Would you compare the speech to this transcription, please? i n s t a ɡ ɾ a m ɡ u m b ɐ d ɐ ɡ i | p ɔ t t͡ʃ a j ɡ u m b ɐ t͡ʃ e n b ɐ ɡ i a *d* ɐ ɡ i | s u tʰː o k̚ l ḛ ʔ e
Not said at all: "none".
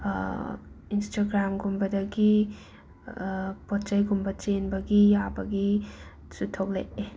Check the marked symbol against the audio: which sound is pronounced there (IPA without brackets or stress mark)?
b